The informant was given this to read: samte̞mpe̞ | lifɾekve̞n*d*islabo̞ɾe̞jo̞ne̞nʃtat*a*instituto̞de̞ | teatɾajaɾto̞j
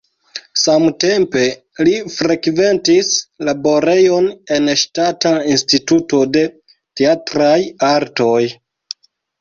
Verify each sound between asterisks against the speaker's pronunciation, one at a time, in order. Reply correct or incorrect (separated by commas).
incorrect, correct